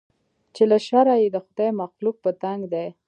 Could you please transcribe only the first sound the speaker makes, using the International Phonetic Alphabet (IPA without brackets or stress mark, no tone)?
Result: t͡ʃ